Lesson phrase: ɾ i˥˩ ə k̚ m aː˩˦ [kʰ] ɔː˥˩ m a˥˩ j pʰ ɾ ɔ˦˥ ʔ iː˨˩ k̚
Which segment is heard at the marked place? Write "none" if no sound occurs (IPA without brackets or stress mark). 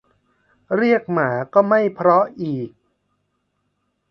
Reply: k